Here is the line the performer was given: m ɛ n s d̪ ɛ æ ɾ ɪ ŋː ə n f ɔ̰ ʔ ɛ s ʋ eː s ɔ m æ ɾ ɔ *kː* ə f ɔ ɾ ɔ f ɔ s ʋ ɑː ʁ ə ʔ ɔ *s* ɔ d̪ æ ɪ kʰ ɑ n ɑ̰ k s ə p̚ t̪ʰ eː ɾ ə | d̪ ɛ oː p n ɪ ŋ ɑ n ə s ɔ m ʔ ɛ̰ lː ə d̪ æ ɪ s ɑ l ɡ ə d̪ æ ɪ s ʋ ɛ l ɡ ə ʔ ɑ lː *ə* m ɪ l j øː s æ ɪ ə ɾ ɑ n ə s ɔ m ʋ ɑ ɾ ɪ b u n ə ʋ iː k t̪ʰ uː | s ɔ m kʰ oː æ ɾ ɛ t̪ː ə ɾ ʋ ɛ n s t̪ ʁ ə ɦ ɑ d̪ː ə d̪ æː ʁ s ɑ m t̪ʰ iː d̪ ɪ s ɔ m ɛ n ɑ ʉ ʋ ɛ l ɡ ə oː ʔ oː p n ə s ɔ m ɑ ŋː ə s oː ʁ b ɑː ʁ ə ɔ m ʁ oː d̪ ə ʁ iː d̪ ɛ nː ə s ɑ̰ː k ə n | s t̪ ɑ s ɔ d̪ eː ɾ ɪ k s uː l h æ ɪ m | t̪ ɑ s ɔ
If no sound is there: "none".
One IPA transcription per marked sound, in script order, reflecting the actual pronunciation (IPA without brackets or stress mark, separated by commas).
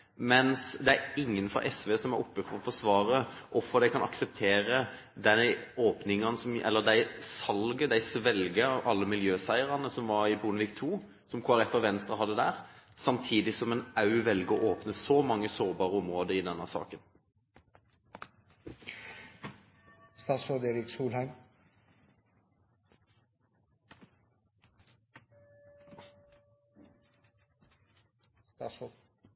pː, f, ə